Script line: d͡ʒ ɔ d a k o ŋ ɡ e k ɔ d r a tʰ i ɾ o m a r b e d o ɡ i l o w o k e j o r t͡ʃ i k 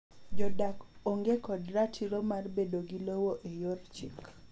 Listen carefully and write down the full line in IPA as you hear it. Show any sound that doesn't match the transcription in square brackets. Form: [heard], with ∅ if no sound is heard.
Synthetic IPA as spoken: d͡ʒ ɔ d a k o ŋ ɡ e k ɔ d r a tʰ i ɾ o m a r b e d o ɡ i l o w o [ʔ] e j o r t͡ʃ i k